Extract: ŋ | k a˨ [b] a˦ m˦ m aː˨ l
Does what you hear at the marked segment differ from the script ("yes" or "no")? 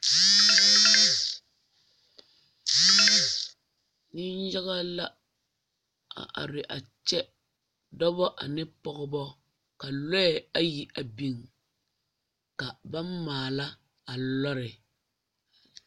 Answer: no